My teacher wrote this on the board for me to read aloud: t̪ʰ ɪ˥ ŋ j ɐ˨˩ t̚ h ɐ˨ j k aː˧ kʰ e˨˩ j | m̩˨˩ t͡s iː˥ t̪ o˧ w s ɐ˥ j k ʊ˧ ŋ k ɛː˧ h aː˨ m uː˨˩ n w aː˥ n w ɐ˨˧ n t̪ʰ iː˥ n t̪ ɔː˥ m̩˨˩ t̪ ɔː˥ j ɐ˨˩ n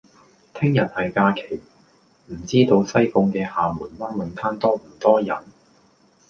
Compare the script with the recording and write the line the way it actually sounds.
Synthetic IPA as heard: t̪ʰ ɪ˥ ŋ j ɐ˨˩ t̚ h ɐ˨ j k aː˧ kʰ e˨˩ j | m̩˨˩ t͡s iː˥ t̪ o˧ w s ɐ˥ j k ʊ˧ ŋ k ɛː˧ h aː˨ m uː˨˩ n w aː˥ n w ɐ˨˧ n t̪ʰ aː˥ n t̪ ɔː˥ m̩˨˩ t̪ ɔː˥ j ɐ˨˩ n